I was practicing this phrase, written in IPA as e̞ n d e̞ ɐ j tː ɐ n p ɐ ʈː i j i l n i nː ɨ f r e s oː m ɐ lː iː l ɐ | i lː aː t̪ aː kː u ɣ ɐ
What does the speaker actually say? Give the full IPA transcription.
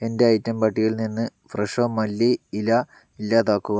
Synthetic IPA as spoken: e̞ n d e̞ ɐ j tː ɐ m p ɐ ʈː i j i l n i nː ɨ f r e ʂ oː m ɐ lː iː l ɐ | i lː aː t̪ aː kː u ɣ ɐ